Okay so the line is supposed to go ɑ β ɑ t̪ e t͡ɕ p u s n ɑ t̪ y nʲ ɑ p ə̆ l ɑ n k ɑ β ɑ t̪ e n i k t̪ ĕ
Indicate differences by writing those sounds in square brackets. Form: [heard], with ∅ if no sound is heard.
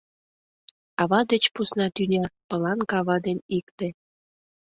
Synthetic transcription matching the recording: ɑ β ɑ [d̪] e t͡ɕ p u s n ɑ t̪ y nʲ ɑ p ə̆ l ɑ n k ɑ β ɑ [d̪] e n i k t̪ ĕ

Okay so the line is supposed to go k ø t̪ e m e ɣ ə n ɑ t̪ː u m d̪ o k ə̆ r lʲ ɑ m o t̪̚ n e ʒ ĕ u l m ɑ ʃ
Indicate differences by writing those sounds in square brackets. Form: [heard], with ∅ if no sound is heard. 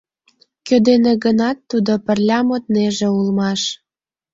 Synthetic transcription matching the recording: k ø [d̪] e [n] e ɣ ə n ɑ t̪ː u [∅] d̪ o [p] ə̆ r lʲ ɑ m o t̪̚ n e ʒ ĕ u l m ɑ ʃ

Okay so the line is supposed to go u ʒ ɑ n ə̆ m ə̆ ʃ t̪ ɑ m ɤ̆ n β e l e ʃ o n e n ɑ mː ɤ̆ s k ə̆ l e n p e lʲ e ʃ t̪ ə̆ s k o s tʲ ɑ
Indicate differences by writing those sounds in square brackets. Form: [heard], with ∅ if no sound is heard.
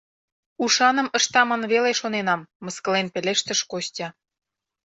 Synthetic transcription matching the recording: u [ʃ] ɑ n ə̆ m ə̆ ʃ t̪ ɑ m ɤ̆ n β e l e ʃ o n e n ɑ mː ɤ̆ s k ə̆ l e n p e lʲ e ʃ t̪ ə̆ [ʃ] k o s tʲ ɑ

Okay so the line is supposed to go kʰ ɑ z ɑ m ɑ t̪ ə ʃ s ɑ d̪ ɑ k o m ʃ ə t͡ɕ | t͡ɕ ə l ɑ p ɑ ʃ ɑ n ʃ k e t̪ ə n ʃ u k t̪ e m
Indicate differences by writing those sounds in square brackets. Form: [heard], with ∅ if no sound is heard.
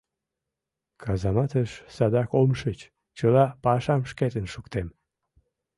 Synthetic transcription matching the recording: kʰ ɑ z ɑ m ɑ t̪ ə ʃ s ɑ d̪ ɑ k o m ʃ ə t͡ɕ | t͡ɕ ə l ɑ p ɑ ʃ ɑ [m] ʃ k e t̪ ə n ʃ u k t̪ e m

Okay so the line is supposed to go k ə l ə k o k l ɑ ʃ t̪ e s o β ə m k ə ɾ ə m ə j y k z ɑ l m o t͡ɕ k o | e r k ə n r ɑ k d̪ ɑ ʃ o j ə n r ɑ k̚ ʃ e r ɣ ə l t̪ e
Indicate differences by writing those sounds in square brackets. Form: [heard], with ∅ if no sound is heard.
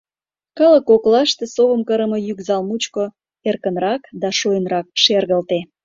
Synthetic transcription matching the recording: k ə l ə k o k l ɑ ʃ t̪ e s o β ə m k ə ɾ ə m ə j y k z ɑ l m [u] t͡ɕ k o | e r k ə n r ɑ k d̪ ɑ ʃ o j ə n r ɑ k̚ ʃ e r ɣ ə l t̪ e

